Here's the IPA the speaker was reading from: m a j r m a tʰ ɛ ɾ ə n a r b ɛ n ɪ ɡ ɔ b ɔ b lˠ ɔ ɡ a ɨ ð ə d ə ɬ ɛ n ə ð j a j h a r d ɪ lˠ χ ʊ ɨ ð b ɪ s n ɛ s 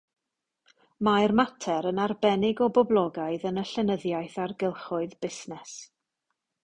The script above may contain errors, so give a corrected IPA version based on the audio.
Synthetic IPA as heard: m a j r m a tʰ ɛ ɾ ə n a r b ɛ n ɪ ɡ ɔ b ɔ b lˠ ɔ ɡ a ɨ ð ə n ə ɬ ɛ n ə ð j a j θ a r ɡ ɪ lˠ χ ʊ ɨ ð b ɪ s n ɛ s